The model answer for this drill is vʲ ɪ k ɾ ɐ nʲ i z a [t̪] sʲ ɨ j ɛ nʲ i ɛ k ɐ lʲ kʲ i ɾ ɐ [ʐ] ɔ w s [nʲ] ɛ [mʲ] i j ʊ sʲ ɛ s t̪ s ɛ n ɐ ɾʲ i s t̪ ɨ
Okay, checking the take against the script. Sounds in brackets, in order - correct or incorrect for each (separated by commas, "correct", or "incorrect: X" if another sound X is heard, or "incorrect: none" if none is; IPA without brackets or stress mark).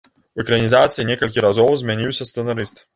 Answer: correct, incorrect: z, incorrect: mʲ, incorrect: nʲ